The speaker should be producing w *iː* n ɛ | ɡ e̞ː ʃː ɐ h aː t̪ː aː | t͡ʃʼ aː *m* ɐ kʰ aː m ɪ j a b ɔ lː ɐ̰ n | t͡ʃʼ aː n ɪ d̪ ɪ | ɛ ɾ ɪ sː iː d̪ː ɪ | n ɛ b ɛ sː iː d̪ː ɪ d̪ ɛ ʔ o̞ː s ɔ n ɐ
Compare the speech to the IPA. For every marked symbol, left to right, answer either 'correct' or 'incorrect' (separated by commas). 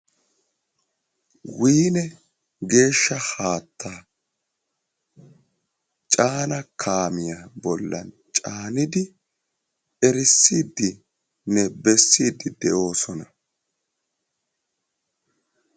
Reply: correct, incorrect